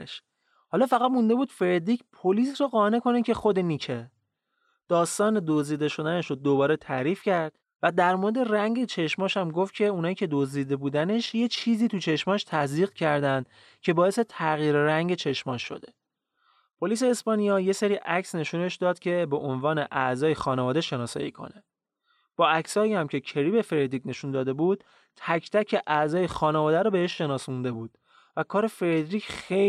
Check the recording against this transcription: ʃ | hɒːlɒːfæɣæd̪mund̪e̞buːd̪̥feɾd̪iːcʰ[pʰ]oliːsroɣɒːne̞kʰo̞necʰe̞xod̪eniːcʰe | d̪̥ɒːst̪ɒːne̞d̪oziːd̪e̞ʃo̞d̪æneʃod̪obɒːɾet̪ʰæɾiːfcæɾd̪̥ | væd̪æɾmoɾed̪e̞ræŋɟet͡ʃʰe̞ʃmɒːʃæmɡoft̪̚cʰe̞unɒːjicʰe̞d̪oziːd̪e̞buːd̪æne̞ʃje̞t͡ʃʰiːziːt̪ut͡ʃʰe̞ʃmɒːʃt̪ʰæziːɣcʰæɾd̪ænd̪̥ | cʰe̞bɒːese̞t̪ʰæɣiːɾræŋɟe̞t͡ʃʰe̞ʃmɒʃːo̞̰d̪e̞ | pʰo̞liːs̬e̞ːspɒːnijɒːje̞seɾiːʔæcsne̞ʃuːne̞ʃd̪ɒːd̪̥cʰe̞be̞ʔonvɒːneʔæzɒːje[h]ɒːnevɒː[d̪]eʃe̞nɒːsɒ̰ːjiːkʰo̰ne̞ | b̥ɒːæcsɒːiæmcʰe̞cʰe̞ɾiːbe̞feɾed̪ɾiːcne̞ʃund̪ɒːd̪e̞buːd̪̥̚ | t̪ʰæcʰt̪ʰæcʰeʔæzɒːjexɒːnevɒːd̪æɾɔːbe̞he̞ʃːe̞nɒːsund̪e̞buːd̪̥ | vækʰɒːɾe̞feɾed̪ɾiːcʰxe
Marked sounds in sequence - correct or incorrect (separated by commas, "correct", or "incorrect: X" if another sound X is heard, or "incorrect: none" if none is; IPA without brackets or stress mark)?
correct, incorrect: x, correct